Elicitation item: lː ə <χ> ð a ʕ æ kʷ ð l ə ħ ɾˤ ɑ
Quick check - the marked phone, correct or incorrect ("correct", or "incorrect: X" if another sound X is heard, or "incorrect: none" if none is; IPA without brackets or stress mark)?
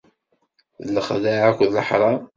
correct